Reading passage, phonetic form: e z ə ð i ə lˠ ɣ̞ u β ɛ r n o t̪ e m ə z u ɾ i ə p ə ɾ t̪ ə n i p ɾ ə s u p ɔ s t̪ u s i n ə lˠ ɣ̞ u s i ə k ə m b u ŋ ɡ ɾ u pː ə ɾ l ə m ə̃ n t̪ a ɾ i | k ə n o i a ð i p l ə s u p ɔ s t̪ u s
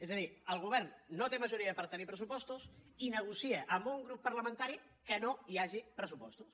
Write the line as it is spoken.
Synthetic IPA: e z ə ð i ə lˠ ɣ̞ u β ɛ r nː o t̪ e m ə ʒ u ɾ i ə p ə ɾ t̪ ə n i p ɾ ə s u p ɔ s t̪ u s i n ə ɣ̞ u s i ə ʔ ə m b u ŋ ɡ ɾ u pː ə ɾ l ə m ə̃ n t̪ a ɾ i | k ə n o i a ʒ i p ɾ ə s u p ɔ s t̪ u s

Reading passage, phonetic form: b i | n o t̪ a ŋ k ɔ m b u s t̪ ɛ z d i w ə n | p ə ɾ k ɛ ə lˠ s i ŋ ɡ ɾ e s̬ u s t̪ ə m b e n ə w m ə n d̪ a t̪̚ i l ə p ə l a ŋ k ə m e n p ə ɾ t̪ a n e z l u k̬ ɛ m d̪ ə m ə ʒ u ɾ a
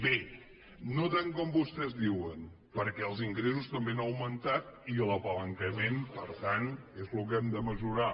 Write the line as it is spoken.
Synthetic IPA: b e | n o t̪ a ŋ k ɔ m b u s t̪ ɛ z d i w ə n | p ə ɾ k ɛ ə lˠ z i ŋ ɡ ɾ e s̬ u s t̪ ə m b e n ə w m ə n t̪ a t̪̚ i l ə p ə l ə ŋ k ə m e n p ə ɾ t̪ a n e z l u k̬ ɛ m d̪ ə m ə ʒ u ɾ a

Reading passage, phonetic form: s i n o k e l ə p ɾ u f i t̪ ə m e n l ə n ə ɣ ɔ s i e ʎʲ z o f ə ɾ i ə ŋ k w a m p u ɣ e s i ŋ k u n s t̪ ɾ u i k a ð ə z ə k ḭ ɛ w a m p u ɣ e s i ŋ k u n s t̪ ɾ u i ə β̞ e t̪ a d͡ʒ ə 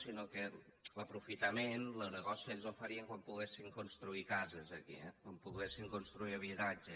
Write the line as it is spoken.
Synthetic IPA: s i n o k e l ə p ɾ u f i t̪ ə m e n l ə n ə ɣ ɔ s i e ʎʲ z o f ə ɾ i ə ŋ k w a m p u ɣ e s i ŋ k u n s t̪ ɾ u i k a z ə z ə k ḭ ɛ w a m p u ɣ e s i ŋ k u n s t̪ ɾ u i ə β̞ i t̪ a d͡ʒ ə

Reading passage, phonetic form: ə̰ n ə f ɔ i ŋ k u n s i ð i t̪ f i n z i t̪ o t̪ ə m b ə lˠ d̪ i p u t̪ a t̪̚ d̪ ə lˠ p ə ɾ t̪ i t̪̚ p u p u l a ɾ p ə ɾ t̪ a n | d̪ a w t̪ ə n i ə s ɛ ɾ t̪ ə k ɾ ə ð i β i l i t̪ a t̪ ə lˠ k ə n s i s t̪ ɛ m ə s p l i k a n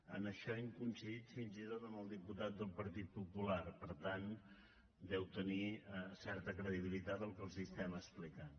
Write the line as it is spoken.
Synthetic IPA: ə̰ n ə ʃ ɔ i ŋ k u n s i ð i t̪ f i n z i t̪ o t̪ ə m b ə lˠ d̪ i p u t̪ a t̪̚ d̪ ə lˠ p ə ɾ t̪ i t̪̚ p u p u l a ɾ p ə ɾ t̪ a n | d̪ ɛ w t̪ ə n i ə s ɛ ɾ t̪ ə k ɾ ə ð i β i l i t̪ a t̪ ə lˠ k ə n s i s t̪ ɛ m ə s p l i k a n

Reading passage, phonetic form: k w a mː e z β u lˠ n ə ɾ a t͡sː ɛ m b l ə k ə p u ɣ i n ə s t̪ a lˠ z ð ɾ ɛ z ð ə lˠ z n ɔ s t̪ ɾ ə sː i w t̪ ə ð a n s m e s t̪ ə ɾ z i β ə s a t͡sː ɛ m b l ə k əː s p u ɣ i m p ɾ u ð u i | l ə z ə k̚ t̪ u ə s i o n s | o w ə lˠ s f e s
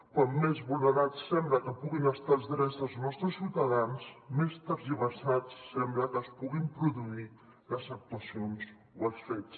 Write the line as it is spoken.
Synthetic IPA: k w a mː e z β u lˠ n ə ɾ a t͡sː ɛ m b l ə k ə p u ɣ i n ə s t̪ a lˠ z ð ɾ ɛ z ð ə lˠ z n ɔ s t̪ ɾ ə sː i w t̪ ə ð a n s m e s t̪ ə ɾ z i β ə s a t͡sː ɛ m b l ə k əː s p u ɣ i m p ɾ u ð u i | l ə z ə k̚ t̪ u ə s i o n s | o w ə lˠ s f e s

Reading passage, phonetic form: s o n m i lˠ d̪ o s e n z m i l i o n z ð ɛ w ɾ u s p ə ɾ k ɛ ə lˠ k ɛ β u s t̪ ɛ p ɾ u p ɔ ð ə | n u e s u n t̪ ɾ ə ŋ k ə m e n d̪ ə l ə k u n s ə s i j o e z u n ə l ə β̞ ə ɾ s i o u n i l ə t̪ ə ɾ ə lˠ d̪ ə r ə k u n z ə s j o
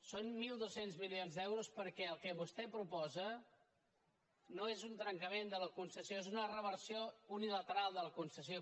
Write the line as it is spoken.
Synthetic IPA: s o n m i lˠ d̪ o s e n z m i l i o n z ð ɛ w ɾ u s p ə ɾ k ɛ ə lˠ k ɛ β u s t̪ ɛ p ɾ u p ɔ z ə | n o e z u n t̪ ɾ ə ŋ k ə m e n d̪ ə l ə k u n s ə s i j o e z u n ə r ə β̞ ə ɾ s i o u n i l ə t̪ ə ɾ a lˠ d̪ ə l ə k u n s ə s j o

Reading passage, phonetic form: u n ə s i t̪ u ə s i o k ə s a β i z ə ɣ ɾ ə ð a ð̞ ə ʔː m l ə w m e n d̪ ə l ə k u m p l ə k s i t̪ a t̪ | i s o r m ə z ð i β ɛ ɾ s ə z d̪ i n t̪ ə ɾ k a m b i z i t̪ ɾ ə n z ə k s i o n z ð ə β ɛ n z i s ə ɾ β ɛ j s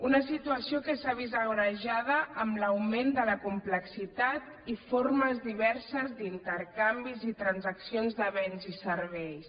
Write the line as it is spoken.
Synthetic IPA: u n ə s i t̪ u ə s i o k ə s a β i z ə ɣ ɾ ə ʒ a ð̞ ə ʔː m l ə w m e n d̪ ə l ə k u m p l ə k s i t̪ a t̪ | i f o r m ə z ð i β ɛ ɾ s ə z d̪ i n t̪ ə ɾ k a m b i z i t̪ ɾ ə n z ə k s i o n z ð ə β ɛ n z i s ə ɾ β ɛ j s

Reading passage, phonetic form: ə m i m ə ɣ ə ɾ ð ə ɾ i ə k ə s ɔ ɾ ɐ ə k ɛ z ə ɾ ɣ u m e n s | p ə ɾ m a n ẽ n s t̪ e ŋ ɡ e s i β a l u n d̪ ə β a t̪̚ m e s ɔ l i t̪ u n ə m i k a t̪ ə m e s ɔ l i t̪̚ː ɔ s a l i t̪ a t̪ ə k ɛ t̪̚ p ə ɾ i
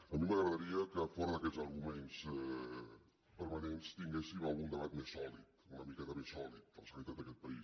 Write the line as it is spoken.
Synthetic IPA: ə m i m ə ɣ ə ɾ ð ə ɾ i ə k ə f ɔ ɾ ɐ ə k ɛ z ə ɾ ɣ u m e n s | p ə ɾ m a n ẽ n s t̪ i ŋ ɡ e s i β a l u n d̪ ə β a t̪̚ m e s ɔ l i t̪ u n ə m i k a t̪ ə m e s ɔ l i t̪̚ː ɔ s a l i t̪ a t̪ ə k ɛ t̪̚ p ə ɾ i

